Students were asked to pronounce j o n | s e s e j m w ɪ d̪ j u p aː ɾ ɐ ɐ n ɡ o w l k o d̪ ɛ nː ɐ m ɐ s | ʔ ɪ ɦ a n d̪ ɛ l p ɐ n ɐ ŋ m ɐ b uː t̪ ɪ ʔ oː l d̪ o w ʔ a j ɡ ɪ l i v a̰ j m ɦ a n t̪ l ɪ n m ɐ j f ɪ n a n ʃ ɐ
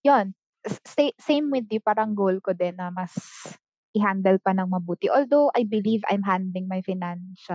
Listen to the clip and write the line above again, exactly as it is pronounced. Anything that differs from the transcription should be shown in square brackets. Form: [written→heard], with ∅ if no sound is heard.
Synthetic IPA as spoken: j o n | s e s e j m w ɪ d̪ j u p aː ɾ ɐ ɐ [n→ŋ] ɡ o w l k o d̪ ɛ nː ɐ m ɐ s | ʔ ɪ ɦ a n d̪ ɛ l p ɐ n ɐ ŋ m ɐ b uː t̪ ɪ ʔ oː l d̪ o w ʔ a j [ɡ→b] ɪ l i v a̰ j m ɦ a n [t̪→d̪] l ɪ [n→ŋ] m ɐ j f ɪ n a n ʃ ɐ